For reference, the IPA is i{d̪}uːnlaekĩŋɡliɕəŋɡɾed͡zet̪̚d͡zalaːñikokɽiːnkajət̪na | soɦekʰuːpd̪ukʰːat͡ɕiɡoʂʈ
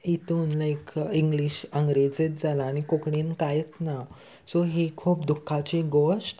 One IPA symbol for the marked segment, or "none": t̪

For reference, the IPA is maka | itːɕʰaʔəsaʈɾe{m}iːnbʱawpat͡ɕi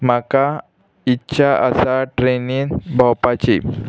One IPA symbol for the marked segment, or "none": n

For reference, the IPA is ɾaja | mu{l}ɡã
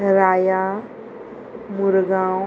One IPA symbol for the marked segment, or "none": ɾ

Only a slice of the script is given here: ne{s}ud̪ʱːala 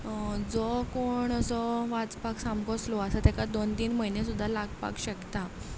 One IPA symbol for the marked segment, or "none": s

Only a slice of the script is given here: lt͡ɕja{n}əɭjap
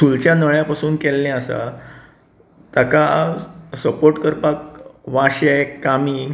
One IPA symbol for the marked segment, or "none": n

